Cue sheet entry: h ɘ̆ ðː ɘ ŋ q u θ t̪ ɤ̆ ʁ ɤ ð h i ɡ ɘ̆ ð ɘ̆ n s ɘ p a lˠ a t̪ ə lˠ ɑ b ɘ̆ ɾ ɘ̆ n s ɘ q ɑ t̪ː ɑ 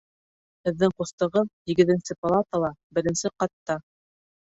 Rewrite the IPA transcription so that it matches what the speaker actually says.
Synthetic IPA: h ɘ̆ ðː ɘ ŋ q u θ t̪ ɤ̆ ʁ ɤ ð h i ɡ ɘ̆ ð ɘ̆ n s ɘ p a lˠ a t̪ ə lˠ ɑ b ɘ̆ ɾ ɘ̆ n s ɘ q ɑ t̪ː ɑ